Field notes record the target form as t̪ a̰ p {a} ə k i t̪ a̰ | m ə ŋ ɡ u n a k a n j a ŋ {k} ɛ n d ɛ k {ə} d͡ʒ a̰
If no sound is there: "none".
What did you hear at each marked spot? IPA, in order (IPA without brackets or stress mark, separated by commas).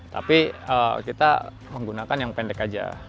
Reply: i, p, a